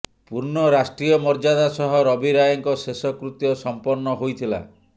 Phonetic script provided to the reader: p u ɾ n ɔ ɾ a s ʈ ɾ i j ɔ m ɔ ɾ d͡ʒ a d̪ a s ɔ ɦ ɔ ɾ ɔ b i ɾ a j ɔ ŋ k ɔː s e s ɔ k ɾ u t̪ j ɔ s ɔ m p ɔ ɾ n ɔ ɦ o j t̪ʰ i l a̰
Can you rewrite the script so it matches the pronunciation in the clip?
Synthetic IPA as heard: p u ɾ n ɔ ɾ a s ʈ ɾ i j ɔ m ɔ ɾ d͡ʒ a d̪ a s ɔ ɦ ɔ ɾ ɔ b i ɾ a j ɔ ŋ k ɔ s e s ɔ k ɾ u t̪ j ɔ s ɔ m p ɔ ɾ n ɔ ɦ o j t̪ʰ i l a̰